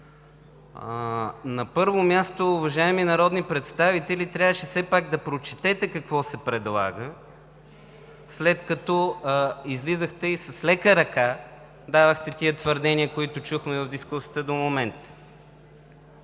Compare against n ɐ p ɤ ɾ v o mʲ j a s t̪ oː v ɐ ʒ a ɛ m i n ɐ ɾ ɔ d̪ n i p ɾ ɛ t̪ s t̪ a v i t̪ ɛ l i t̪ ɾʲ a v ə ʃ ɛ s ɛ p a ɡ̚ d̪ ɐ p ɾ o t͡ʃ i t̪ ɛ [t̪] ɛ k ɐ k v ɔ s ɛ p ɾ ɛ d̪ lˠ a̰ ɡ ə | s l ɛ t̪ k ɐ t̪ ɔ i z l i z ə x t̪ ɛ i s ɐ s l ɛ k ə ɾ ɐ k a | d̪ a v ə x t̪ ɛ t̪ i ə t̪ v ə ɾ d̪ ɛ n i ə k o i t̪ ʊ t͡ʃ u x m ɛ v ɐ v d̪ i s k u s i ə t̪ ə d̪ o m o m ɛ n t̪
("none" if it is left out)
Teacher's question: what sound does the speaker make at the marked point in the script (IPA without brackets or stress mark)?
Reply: t̪